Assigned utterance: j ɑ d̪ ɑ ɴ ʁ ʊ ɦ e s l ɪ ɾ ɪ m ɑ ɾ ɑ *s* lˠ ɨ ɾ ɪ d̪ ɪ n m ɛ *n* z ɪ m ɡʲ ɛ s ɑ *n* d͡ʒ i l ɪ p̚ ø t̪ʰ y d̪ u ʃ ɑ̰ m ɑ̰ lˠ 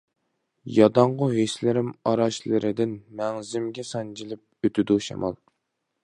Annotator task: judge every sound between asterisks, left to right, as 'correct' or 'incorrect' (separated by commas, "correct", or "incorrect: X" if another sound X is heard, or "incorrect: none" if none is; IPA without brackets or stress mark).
incorrect: ʃ, incorrect: ŋ, correct